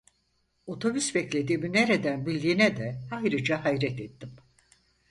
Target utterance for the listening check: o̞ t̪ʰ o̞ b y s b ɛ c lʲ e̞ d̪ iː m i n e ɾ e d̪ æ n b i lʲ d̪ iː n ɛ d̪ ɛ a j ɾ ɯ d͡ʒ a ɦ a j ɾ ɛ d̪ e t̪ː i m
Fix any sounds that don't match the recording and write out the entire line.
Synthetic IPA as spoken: o̞ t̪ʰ o̞ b y s b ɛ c lʲ e̞ d̪ iː m i n e ɾ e d̪ æ n b i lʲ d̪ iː n ɛ d̪ ɛ a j ɾ ɯ d͡ʒ a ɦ a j ɾ ɛ t̪ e t̪ː i m